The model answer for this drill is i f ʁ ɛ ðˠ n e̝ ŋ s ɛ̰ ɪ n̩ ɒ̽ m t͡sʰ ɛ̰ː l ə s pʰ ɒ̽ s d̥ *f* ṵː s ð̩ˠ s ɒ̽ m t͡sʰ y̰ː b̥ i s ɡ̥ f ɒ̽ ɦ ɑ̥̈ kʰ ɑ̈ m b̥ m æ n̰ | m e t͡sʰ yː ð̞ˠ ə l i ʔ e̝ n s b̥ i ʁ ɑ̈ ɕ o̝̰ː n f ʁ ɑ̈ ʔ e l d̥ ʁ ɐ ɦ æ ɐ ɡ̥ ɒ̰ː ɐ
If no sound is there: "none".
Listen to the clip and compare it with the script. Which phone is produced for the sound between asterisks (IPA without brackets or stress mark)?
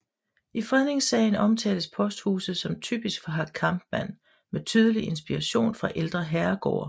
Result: h